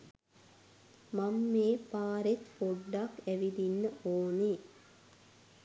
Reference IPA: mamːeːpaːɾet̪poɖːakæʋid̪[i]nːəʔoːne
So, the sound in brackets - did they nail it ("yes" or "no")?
yes